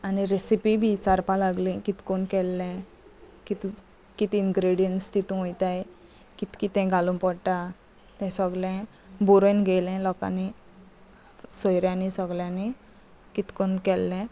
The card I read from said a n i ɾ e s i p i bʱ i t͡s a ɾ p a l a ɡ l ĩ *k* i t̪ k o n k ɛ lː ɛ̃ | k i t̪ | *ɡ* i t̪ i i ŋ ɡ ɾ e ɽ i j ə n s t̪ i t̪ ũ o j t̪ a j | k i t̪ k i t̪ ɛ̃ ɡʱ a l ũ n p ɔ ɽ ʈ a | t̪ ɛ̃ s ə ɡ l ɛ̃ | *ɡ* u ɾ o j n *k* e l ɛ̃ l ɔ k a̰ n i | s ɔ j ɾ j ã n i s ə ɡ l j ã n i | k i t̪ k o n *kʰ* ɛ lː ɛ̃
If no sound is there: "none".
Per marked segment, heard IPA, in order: k, k, b, ɡ, k

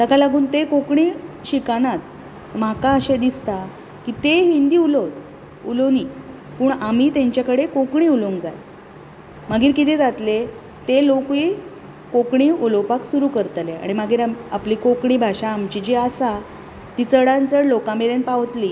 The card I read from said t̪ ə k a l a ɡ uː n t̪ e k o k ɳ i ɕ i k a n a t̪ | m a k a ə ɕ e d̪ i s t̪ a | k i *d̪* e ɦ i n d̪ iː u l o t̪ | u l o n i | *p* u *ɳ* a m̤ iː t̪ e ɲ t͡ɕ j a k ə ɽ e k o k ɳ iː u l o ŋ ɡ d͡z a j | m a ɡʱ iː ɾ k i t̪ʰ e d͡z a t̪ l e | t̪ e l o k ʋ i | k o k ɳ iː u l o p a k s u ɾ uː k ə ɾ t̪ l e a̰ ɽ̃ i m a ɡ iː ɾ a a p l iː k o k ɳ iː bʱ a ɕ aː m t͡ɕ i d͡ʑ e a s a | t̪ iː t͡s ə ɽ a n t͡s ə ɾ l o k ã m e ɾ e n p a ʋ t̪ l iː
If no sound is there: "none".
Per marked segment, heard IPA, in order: t̪, p, ɳ

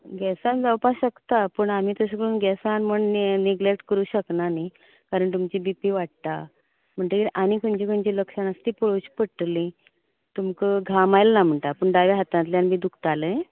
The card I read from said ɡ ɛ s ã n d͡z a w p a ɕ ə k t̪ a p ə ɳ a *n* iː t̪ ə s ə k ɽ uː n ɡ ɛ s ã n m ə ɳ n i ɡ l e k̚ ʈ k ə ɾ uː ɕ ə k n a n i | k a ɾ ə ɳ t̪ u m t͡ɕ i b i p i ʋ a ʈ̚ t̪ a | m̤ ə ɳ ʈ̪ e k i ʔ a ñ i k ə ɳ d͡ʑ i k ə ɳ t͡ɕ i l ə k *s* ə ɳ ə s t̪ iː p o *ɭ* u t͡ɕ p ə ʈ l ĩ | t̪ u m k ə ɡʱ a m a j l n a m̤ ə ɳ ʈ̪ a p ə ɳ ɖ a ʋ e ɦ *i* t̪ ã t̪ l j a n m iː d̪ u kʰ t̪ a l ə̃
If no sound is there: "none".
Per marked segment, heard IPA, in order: m, ʂ, ɭ, a

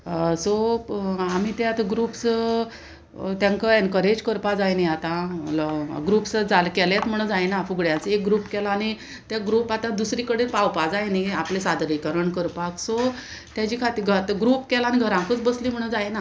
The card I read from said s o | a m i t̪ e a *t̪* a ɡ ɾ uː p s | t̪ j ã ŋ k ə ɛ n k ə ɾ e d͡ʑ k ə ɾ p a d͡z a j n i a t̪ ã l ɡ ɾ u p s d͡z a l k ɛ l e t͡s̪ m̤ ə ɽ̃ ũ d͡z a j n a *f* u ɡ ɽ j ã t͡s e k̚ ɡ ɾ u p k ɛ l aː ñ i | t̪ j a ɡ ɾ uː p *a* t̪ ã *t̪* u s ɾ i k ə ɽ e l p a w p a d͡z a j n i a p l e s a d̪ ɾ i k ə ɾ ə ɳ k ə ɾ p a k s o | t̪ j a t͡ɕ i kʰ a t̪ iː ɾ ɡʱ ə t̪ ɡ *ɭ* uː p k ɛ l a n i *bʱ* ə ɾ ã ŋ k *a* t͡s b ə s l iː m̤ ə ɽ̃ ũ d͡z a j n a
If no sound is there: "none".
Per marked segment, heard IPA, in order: t̪, f, a, d̪, ɾ, ɡʱ, ə

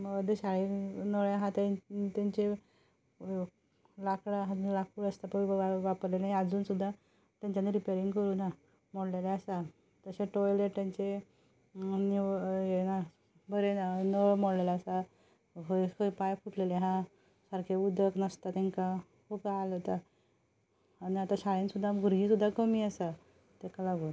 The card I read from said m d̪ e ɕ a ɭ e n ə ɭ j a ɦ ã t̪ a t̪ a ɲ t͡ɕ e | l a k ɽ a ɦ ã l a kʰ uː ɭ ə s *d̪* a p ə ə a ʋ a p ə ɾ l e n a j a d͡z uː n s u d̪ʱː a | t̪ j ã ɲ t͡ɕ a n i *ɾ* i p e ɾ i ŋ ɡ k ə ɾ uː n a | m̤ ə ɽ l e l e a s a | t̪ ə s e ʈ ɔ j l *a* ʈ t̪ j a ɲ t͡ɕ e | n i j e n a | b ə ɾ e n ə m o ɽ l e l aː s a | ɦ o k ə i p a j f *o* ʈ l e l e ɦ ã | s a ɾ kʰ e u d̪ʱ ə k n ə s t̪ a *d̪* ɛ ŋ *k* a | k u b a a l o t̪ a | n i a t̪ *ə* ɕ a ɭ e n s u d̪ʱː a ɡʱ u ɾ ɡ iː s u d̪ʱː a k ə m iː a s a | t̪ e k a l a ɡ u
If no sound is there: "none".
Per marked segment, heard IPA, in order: t̪, ɾ, e, u, t̪, k, a

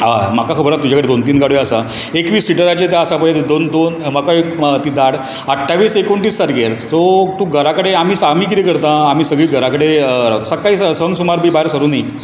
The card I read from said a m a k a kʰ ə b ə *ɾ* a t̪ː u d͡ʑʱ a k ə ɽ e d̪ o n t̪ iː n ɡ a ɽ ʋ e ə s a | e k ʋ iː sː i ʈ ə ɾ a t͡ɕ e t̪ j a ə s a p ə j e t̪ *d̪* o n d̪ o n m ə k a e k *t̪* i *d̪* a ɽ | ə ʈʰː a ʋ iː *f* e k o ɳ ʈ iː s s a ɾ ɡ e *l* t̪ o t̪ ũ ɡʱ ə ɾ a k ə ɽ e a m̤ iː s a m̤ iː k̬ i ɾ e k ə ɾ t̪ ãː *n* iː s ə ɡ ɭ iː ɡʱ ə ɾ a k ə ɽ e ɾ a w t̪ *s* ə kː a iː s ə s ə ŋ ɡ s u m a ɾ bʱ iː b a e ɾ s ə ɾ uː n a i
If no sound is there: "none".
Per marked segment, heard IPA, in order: ɾ, d̪, t̪, d̪, s, ɾ, m, s

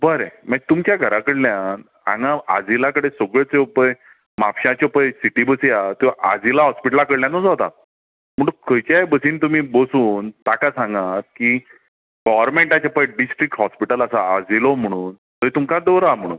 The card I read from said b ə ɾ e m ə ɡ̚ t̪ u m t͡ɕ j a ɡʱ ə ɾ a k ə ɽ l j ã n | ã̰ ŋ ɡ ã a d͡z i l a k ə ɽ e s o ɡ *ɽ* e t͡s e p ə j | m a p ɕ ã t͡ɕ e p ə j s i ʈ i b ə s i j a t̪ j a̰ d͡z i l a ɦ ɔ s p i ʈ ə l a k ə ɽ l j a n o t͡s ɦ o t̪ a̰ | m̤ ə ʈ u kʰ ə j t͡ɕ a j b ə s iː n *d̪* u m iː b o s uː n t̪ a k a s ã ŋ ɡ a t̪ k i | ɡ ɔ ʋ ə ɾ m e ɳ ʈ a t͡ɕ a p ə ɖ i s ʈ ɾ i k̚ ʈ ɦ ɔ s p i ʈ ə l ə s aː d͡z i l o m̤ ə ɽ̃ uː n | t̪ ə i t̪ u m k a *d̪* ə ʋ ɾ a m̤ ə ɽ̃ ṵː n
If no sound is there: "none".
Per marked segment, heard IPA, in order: ɭ, t̪, d̪

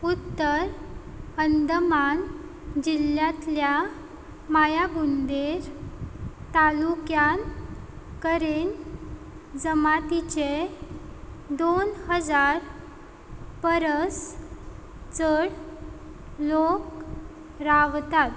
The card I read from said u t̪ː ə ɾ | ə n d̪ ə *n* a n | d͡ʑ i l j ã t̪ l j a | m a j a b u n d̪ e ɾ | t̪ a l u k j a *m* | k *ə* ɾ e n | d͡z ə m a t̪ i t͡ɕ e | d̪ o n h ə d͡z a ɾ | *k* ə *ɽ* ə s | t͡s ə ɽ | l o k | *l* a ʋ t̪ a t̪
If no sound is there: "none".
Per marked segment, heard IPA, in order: m, n, ə, p, ɾ, ɾ

